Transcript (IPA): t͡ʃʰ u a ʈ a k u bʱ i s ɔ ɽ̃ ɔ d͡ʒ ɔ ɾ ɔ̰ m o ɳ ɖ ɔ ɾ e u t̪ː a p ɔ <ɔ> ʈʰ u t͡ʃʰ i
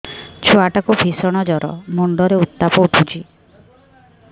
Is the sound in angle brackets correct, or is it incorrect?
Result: incorrect